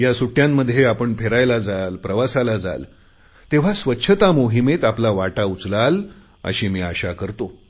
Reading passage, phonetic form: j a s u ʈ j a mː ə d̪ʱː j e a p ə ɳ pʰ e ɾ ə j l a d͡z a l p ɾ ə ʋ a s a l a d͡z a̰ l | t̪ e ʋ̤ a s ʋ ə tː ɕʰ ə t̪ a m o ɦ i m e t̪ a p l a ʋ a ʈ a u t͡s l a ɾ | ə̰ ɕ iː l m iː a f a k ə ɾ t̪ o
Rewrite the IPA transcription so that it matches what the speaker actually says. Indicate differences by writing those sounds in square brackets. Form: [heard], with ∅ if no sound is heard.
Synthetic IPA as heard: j a s u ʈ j a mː ə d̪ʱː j e a p ə ɳ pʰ e ɾ [a] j l a d͡z a l p ɾ ə ʋ a s a l a d͡z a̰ l | t̪ e ʋ̤ a s ʋ ə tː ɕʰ ə t̪ a m o ɦ i m e t̪ a p l a ʋ a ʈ a u t͡s l a [l] | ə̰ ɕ iː [∅] m iː a [ɕ] a k ə ɾ t̪ o